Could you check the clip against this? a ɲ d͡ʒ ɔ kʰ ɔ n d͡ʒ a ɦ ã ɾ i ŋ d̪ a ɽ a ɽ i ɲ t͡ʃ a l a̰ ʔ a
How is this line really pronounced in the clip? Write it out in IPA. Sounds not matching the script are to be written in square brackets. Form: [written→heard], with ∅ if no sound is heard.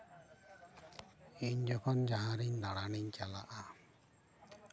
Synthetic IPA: [a→i] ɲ d͡ʒ ɔ kʰ ɔ n d͡ʒ a ɦ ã ɾ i [ŋ→ɲ] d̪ a ɽ a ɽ i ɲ t͡ʃ a l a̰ ʔ a